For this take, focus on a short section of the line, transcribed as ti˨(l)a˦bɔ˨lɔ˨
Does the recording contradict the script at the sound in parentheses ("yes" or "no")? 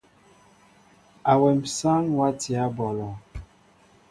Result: yes